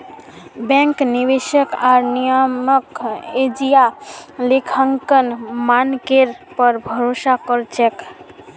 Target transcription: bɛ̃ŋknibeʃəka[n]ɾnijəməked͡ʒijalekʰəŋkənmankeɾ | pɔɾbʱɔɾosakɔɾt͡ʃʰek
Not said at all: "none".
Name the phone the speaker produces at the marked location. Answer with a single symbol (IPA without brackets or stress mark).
none